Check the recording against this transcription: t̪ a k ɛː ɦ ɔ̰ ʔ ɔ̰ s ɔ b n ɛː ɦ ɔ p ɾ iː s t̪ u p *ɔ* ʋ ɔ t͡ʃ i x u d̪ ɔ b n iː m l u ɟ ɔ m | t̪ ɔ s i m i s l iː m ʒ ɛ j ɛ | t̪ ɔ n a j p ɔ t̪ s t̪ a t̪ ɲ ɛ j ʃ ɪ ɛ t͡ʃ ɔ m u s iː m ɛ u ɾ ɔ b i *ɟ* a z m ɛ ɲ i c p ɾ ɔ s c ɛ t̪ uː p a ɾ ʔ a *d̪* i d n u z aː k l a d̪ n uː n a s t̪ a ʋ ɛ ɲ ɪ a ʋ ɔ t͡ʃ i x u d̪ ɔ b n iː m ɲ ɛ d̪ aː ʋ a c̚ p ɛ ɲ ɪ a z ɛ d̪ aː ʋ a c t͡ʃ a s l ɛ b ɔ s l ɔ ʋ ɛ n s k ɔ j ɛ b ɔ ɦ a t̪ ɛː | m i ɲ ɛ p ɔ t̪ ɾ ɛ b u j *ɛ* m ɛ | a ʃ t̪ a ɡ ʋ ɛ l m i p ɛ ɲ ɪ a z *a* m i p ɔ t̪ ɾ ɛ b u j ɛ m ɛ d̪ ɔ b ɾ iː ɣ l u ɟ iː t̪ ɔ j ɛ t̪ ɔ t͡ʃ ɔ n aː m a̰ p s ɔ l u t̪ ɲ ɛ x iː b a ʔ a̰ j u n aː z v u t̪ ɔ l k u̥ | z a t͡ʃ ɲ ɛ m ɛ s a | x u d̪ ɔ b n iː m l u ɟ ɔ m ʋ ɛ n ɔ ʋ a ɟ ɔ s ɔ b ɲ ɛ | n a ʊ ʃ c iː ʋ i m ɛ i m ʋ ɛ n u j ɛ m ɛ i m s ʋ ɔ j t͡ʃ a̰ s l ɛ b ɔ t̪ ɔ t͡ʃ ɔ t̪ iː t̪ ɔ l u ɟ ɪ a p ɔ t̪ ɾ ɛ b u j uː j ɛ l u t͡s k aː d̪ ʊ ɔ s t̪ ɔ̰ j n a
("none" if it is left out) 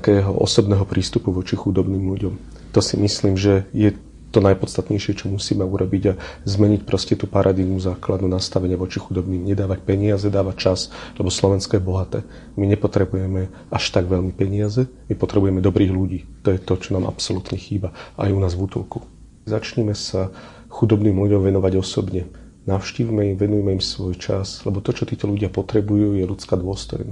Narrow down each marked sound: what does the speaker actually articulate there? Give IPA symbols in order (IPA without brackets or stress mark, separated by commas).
u, ɟ, d̪, ɛ, ɛ